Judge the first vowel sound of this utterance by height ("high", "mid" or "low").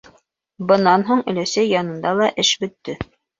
mid